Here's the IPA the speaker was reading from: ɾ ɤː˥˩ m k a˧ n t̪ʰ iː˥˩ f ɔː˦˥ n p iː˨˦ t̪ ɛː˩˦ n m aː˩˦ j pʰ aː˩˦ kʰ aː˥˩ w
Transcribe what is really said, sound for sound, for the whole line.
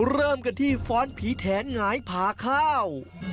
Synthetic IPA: ɾ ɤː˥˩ m k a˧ n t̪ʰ iː˥˩ f ɔː˦˥ n pʰ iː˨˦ t̪ʰ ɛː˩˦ n ŋ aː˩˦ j pʰ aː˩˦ kʰ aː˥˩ w